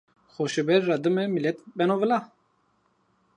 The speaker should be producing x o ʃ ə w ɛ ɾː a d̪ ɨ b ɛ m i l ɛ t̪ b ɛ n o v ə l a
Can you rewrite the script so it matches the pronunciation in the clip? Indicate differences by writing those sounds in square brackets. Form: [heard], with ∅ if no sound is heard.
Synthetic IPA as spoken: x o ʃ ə [b] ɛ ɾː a d̪ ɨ [m] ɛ m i l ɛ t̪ b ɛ n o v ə l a